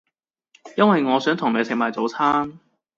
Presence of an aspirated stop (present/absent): present